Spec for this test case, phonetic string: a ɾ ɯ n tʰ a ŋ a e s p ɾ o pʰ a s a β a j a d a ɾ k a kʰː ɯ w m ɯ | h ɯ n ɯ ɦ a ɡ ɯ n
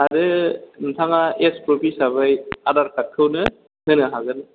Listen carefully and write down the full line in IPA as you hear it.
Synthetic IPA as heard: a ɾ ɯ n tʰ a ŋ a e s p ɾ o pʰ i s a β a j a d a ɾ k a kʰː ɯ w n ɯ | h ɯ n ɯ ɦ a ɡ ɯ n

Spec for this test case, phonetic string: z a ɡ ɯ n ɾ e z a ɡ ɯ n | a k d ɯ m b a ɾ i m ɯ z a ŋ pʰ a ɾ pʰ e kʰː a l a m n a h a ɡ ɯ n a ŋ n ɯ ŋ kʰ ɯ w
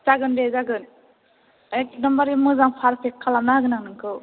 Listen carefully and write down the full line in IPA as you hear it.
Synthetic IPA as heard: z a ɡ ɯ n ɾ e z a ɡ ɯ n | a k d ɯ m b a ɾ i m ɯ z a ŋ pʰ a ɾ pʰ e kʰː a l a m n a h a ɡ ɯ n a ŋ n ɯ ŋ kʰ ɯ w

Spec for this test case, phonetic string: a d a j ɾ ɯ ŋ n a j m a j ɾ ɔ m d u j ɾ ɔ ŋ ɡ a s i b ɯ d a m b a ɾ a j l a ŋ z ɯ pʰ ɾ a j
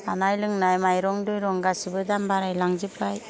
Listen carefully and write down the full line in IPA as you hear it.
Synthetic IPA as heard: a n a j l ɯ ŋ n a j m a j ɾ ɔ ŋ d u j ɾ ɔ ŋ ɡ a s i b ɯ d a m b a ɾ a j l a ŋ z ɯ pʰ ɾ a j

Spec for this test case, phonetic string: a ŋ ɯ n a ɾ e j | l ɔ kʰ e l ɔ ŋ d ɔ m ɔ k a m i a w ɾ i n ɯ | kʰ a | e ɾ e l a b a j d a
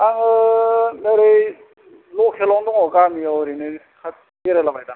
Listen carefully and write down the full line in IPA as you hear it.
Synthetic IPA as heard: a ŋ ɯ n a ɾ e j | l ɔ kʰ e l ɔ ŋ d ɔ ŋ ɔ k a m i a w ɾ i n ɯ | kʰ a | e ɾ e l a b a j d a

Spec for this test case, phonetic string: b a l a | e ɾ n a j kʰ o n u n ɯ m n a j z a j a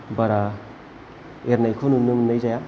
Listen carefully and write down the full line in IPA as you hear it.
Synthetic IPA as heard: b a ɾ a | e ɾ n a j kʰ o n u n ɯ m n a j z a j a

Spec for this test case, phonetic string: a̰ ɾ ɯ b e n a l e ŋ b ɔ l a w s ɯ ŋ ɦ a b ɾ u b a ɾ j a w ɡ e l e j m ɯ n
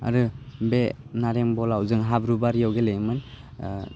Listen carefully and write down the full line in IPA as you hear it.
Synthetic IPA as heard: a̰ ɾ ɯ b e n a ɾ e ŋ b ɔ l a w z ɯ ŋ ɦ a b ɾ u b a ɾ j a w ɡ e l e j m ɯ n

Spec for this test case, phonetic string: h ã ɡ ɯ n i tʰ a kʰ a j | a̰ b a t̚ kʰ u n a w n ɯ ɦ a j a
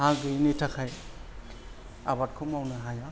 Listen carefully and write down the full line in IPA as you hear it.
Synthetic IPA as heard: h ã ɡ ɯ n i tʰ a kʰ a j | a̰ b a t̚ kʰ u m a w n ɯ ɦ a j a

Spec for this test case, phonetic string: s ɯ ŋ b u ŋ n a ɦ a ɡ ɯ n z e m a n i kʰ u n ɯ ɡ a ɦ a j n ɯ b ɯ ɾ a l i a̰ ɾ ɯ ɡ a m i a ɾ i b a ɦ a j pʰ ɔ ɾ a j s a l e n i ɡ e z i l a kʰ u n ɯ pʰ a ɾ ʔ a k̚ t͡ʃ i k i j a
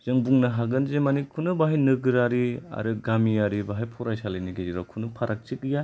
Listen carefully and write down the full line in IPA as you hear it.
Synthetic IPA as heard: z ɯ ŋ b u ŋ n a ɦ a ɡ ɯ n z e m a n i kʰ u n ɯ b a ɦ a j n ɯ ɡ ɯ ɾ a ɾ i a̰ ɾ ɯ ɡ a m i a ɾ i b a ɦ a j pʰ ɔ ɾ a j s a l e n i ɡ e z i ɾ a kʰ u n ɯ pʰ a ɾ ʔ a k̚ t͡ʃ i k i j a

